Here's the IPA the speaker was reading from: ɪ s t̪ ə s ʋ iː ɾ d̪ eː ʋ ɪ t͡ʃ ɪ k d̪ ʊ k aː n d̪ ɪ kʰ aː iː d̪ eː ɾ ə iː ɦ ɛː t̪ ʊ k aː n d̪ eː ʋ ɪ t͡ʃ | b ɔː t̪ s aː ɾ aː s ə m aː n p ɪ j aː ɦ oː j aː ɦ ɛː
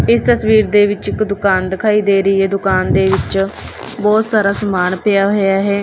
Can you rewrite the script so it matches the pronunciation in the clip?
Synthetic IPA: ɪ s t̪ ə s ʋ iː ɾ d̪ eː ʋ ɪ t͡ʃ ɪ k d̪ ʊ k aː n d̪ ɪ kʰ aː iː d̪ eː ɾ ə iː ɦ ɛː d̪ ʊ k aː n d̪ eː ʋ ɪ t͡ʃ | b ɔː t̪ s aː ɾ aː s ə m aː n p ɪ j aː ɦ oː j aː ɦ ɛː